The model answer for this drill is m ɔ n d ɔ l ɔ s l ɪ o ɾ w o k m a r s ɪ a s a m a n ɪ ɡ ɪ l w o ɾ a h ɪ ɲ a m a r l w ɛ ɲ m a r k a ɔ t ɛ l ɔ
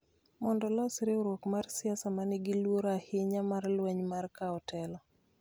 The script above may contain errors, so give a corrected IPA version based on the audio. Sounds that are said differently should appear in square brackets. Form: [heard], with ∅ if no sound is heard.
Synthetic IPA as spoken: m ɔ n d ɔ l ɔ s [ɾ] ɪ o ɾ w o k m a r s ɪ a s a m a n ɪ ɡ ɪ l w o ɾ a h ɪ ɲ a m a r l w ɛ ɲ m a r k a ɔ t ɛ l ɔ